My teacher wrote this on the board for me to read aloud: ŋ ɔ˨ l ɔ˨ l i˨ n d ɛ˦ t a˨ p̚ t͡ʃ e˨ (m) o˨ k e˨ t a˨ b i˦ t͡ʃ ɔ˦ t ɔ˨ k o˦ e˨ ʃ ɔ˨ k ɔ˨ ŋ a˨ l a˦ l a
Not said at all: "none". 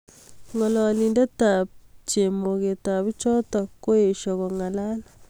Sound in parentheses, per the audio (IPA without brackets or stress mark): m